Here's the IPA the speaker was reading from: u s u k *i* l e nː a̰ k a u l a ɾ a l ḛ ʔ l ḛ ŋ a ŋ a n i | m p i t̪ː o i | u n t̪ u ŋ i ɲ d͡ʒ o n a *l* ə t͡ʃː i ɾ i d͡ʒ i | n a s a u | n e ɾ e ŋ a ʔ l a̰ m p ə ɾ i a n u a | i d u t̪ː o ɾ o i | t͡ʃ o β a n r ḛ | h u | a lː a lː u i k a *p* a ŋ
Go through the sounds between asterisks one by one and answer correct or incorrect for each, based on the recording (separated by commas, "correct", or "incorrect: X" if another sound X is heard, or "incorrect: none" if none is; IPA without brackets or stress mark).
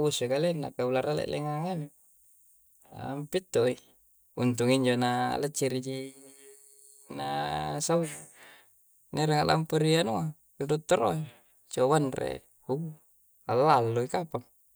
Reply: incorrect: a, correct, correct